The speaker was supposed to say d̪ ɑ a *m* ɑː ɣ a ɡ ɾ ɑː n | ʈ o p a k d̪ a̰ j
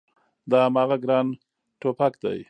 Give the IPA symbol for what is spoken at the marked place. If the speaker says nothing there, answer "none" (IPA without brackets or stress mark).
m